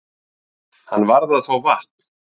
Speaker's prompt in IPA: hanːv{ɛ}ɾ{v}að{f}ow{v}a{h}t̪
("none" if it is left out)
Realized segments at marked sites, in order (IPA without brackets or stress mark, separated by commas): a, ð, θ, v, h